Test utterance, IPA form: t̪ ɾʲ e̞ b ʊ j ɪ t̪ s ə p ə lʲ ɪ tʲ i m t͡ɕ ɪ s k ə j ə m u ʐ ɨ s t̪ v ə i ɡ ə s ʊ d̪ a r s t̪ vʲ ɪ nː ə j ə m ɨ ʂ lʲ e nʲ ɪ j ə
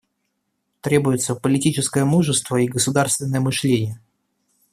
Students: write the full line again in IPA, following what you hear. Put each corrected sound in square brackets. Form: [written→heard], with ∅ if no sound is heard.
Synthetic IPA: t̪ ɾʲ e̞ b ʊ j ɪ t̪ s ə p ə lʲ ɪ tʲ i [m→∅] t͡ɕ ɪ s k ə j ə m u ʐ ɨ s t̪ v ə i ɡ ə s ʊ d̪ a r s t̪ vʲ ɪ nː ə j ə m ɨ ʂ lʲ e nʲ ɪ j ə